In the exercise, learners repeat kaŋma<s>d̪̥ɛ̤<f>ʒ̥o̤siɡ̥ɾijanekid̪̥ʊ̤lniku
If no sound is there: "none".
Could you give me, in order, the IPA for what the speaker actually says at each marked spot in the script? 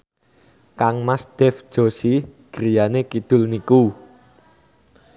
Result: s, f

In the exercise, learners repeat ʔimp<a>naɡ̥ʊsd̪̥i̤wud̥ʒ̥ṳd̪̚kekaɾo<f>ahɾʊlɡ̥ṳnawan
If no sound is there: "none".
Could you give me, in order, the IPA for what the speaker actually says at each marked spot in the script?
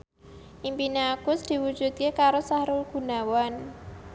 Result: i, s

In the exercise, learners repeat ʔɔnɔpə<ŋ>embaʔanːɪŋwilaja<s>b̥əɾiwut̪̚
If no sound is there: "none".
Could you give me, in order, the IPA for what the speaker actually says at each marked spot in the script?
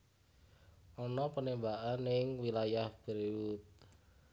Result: n, h

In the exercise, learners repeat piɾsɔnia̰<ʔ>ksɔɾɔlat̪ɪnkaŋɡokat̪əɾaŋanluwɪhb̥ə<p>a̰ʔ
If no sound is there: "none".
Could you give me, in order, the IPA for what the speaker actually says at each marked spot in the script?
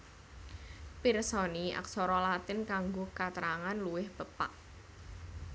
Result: none, p

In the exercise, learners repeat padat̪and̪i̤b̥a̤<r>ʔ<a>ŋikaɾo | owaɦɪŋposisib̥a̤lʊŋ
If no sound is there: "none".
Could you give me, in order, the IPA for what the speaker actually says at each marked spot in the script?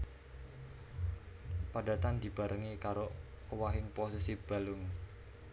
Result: ɾ, ə

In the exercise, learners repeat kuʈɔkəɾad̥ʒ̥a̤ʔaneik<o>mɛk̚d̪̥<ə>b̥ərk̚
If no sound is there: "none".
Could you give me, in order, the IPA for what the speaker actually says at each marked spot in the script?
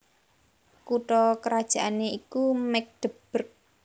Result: u, ə

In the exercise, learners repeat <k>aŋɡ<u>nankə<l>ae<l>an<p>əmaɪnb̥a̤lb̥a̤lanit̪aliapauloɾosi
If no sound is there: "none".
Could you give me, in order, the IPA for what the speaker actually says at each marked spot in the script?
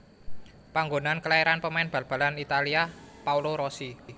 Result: p, o, l, ɾ, p

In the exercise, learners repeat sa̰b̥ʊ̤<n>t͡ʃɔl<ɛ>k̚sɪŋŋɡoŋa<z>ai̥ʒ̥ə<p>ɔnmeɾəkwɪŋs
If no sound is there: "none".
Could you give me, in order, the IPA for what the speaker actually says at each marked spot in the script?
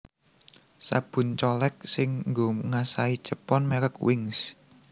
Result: n, ɛ, s, p

